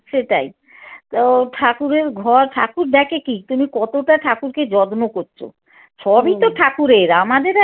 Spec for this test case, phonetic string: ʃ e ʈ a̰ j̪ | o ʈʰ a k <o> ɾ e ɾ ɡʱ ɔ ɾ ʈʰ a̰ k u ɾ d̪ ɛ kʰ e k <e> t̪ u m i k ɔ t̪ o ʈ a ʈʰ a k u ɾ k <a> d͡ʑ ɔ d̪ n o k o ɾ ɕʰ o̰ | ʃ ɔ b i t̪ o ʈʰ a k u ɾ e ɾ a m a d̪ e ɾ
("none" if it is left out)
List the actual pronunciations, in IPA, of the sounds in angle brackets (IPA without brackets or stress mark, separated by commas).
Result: u, i, e